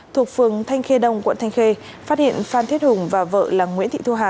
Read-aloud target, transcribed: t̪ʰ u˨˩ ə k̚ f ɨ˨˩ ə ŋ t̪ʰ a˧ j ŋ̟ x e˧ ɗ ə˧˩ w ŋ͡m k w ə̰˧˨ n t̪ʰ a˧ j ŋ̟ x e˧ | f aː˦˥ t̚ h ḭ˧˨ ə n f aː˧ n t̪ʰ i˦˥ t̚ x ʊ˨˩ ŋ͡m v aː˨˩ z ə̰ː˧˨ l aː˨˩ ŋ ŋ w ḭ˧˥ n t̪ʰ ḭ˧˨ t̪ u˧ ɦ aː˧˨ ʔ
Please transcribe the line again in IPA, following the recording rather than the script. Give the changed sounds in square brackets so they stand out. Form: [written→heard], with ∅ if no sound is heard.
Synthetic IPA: t̪ʰ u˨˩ ə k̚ f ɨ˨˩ ə ŋ t̪ʰ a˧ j ŋ̟ x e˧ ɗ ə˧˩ w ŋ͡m k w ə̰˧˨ n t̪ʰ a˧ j ŋ̟ x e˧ | f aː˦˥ t̚ h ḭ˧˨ ə n f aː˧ n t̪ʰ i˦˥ t̚ [x→h] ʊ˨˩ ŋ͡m v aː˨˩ [z→v] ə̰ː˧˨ l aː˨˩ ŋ ŋ w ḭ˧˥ n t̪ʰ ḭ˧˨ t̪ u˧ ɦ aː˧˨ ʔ

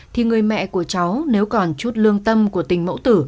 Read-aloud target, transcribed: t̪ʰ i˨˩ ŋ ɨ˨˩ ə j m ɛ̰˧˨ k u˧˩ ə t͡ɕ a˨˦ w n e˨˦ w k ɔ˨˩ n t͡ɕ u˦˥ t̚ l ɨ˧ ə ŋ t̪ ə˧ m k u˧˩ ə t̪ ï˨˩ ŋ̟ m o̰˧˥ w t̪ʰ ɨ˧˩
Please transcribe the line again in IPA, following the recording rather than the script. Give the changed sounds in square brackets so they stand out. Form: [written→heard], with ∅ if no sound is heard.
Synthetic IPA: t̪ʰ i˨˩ ŋ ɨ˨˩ ə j m ɛ̰˧˨ k u˧˩ ə t͡ɕ a˨˦ w n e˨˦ w k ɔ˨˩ n t͡ɕ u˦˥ t̚ l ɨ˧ ə ŋ t̪ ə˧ m k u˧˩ ə t̪ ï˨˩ ŋ̟ m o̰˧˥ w [t̪ʰ→t̪] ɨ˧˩

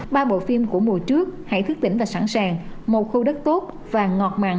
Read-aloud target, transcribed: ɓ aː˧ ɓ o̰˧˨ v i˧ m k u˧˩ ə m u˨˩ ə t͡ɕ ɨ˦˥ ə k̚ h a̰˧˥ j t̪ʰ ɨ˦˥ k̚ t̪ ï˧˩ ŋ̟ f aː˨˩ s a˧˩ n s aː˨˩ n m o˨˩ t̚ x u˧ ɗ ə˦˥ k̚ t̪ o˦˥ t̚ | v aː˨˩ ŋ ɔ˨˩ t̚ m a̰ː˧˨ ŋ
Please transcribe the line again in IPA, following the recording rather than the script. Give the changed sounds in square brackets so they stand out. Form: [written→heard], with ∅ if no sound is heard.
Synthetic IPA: ɓ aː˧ ɓ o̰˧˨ [v→f] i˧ m k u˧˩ ə m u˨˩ ə t͡ɕ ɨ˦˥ ə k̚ h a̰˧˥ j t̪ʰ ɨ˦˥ k̚ t̪ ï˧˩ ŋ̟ [f→v] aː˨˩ s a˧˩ n s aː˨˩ [n→ŋ] m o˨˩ t̚ x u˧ ɗ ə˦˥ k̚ t̪ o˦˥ t̚ | v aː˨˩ ŋ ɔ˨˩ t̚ m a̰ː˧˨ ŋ

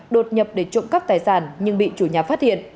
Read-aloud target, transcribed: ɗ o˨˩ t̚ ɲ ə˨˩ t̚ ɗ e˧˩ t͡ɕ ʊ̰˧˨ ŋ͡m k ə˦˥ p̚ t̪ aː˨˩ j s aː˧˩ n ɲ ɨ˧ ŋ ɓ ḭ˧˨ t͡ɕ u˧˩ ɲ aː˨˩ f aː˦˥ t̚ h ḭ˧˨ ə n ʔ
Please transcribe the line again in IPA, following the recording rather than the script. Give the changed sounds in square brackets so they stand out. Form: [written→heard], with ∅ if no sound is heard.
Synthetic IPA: ɗ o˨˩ t̚ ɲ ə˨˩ [t̚→p̚] ɗ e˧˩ t͡ɕ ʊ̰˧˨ ŋ͡m k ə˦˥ p̚ t̪ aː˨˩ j s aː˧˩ n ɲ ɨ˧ ŋ ɓ ḭ˧˨ t͡ɕ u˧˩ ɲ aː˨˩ f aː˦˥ t̚ h ḭ˧˨ ə n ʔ

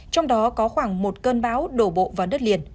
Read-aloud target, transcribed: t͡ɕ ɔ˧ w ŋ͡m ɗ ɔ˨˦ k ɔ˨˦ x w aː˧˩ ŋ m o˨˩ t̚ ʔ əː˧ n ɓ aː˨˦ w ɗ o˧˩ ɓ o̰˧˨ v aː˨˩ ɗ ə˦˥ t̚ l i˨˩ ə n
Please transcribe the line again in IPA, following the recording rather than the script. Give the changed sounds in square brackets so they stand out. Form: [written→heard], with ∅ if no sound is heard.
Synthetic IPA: t͡ɕ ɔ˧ w ŋ͡m ɗ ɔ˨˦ k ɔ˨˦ x w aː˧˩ ŋ m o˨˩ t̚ [ʔ→k] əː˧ n ɓ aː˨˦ w ɗ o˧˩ ɓ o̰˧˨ v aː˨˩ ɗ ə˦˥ t̚ l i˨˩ ə n

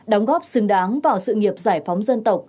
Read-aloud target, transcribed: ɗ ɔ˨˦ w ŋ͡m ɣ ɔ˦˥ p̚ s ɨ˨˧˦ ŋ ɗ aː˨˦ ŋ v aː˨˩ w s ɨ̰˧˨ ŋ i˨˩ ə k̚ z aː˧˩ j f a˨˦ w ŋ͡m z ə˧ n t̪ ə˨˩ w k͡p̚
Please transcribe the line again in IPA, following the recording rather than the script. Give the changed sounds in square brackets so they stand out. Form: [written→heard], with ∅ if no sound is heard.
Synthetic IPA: ɗ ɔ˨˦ w ŋ͡m ɣ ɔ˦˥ p̚ s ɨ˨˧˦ ŋ ɗ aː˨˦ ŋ v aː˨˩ w s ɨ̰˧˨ ŋ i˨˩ ə [k̚→p̚] z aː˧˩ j f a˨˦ w ŋ͡m z ə˧ n t̪ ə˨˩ w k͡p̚

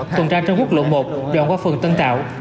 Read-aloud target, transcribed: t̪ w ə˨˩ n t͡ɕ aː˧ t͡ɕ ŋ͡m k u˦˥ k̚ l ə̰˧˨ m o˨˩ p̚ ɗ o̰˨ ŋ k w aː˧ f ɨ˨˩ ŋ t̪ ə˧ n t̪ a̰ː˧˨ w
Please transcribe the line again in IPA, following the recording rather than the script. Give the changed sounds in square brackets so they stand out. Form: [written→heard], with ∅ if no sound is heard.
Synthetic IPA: t̪ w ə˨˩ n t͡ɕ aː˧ t͡ɕ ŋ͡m k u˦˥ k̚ l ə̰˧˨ m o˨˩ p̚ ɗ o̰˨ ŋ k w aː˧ f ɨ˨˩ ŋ t̪ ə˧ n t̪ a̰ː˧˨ w

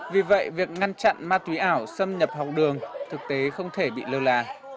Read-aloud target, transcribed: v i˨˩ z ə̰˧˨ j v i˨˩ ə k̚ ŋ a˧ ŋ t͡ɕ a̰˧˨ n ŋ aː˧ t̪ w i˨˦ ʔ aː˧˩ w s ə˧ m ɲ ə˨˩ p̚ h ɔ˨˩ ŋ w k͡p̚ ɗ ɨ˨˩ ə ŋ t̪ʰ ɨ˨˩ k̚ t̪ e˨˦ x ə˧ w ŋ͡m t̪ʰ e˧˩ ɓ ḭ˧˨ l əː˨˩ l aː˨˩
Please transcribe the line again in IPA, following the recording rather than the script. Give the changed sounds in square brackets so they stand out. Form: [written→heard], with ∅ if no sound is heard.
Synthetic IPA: v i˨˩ [z→v] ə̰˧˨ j v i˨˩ ə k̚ ŋ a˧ [ŋ→n] t͡ɕ a̰˧˨ n [ŋ→m] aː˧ t̪ w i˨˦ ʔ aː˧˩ w s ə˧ m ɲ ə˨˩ p̚ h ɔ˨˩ [ŋ→∅] w k͡p̚ ɗ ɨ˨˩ ə ŋ t̪ʰ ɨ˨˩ k̚ t̪ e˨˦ x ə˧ w ŋ͡m t̪ʰ e˧˩ ɓ ḭ˧˨ l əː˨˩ l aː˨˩

